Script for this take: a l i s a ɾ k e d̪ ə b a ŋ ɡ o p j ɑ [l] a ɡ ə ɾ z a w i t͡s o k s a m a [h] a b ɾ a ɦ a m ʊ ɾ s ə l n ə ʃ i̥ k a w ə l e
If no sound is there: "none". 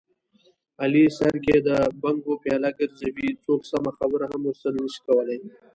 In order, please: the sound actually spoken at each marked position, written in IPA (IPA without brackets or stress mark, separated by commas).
l, x